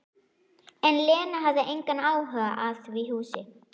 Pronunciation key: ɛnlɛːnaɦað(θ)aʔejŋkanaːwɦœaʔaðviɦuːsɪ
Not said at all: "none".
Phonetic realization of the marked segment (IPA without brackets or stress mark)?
ð